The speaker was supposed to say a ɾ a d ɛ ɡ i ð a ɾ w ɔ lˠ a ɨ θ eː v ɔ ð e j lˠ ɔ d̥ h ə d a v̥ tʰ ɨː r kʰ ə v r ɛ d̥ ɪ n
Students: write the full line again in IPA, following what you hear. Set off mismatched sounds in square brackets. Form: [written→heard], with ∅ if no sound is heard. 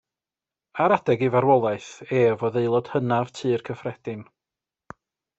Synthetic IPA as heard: a ɾ a d ɛ ɡ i [ð→v] a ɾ w ɔ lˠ a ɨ θ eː v ɔ ð e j lˠ ɔ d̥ h ə [d→n] a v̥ tʰ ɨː r kʰ ə [v→f] r ɛ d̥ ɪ n